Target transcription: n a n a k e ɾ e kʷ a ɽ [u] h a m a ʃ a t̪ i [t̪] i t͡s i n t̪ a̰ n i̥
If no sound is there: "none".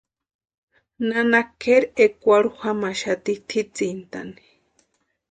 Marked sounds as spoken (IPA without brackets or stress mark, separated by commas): u, t̪ʰ